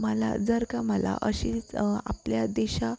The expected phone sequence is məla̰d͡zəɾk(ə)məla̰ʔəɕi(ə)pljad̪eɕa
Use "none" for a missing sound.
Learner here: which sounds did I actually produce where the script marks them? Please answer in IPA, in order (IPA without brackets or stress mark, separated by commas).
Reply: a, a